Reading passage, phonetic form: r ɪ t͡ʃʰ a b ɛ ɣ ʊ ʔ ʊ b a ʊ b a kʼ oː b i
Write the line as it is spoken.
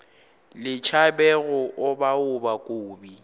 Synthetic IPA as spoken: l ɪ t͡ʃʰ a b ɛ ɣ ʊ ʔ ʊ b a ʊ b a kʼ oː b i

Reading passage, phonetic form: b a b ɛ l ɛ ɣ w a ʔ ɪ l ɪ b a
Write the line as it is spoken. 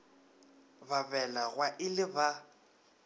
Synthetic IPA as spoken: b a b ɛ l a ɣ w a ʔ ɪ l ɪ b a

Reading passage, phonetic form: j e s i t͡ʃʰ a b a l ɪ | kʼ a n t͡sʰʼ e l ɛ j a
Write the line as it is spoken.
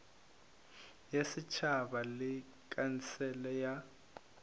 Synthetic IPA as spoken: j e s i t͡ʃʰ a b a l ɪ | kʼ a n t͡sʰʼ ɛ l ɛ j a

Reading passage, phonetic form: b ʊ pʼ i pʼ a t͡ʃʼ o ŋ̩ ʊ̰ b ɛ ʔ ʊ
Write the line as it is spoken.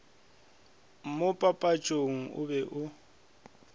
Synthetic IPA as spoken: m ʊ pʼ a pʼ a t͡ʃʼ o ŋ̩ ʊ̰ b ɛ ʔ ʊ

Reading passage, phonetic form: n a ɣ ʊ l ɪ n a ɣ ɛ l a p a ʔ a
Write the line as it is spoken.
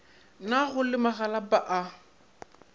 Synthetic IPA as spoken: n a ɣ ʊ l ɪ m a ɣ a l a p a ʔ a

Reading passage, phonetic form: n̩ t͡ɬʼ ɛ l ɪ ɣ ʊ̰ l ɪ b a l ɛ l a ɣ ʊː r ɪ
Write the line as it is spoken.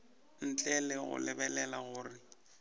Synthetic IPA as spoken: n̩ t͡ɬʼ ɛ l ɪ ɣ ʊ̰ l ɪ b ɛ l ɛ l a ɣ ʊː r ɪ

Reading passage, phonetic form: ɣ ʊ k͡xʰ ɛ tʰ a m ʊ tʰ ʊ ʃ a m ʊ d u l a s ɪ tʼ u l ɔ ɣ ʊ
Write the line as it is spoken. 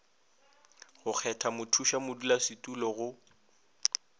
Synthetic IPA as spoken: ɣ ʊ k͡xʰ ɛ tʰ a m ʊ tʰ u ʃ a m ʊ d u l a s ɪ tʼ u l ɔ ɣ ʊ

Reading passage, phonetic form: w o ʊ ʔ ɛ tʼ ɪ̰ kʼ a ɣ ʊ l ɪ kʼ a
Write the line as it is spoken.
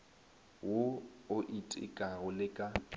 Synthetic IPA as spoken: w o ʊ ʔ i tʼ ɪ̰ kʼ a ɣ ʊ l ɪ kʼ a

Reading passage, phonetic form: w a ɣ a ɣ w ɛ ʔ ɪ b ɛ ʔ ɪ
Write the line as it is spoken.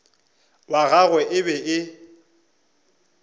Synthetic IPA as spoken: w a ɣ a ɣ w ɛ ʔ ɪ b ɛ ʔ ɪ

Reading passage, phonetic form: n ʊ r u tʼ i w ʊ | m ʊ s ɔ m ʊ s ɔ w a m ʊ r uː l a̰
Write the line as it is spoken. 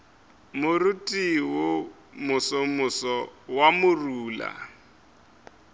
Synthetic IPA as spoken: m ʊ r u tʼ i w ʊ | m ʊ s ɔ m ʊ s ɔ w a m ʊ r uː l a̰

